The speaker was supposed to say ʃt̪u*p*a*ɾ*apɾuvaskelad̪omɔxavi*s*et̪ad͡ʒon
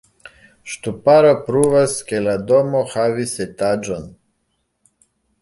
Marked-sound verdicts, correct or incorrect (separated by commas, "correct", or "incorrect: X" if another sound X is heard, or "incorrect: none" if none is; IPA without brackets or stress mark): correct, correct, correct